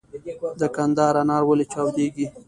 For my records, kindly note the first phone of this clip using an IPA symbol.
d̪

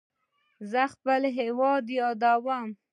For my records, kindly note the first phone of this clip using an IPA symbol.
z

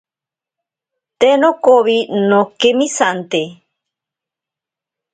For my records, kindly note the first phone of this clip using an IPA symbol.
t̪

